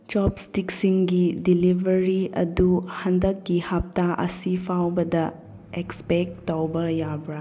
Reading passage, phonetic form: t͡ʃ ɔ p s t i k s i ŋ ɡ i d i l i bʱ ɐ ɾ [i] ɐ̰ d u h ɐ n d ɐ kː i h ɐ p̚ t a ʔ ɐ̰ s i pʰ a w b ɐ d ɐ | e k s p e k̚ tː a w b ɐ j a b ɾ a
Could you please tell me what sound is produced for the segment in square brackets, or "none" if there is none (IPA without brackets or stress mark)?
i